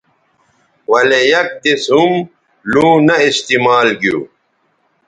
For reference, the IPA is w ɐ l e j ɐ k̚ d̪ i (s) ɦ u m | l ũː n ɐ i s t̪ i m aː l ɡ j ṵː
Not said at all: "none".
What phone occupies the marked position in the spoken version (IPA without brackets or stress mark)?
s